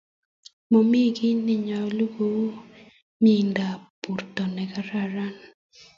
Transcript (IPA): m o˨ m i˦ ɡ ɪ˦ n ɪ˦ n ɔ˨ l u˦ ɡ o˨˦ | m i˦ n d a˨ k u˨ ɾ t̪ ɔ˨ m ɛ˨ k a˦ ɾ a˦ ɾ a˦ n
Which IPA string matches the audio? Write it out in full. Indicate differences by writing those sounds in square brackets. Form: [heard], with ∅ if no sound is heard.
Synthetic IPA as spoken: m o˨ m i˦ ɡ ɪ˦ n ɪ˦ [ɲ] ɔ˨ l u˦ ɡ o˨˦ | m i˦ n d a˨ [p] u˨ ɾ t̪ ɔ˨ [n] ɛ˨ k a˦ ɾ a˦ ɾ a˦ n